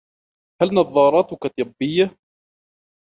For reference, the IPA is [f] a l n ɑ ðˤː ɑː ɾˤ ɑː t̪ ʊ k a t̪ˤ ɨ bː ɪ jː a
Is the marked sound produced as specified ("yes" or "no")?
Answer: no